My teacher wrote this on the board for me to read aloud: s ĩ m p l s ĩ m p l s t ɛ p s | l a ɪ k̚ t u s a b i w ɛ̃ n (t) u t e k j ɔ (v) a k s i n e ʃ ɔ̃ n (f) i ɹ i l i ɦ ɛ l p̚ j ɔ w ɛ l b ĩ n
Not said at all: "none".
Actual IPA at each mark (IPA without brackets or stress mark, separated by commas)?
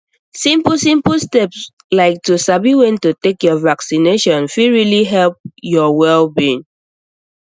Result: t, v, f